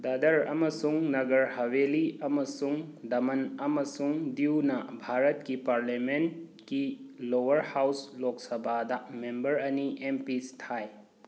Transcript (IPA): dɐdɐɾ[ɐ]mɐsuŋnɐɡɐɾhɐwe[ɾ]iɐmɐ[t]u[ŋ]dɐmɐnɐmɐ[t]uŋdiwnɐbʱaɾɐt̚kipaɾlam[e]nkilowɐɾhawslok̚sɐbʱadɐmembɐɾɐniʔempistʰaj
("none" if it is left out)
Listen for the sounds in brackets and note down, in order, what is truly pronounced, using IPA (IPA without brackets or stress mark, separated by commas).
ɐ, l, s, ŋ, s, e